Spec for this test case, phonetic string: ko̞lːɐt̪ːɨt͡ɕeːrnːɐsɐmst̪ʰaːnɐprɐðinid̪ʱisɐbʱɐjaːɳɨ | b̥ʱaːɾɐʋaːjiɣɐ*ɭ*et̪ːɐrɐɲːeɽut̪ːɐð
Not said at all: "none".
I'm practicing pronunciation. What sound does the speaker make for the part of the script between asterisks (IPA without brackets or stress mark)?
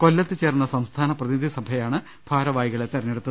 ɭ